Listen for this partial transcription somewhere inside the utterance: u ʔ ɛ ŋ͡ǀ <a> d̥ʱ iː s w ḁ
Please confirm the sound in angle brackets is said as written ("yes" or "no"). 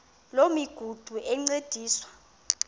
no